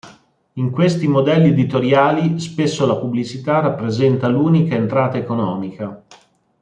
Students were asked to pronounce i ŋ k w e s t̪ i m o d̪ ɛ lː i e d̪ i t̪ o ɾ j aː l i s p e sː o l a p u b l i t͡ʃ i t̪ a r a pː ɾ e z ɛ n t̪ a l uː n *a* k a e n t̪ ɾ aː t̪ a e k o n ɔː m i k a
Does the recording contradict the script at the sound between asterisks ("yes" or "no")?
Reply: yes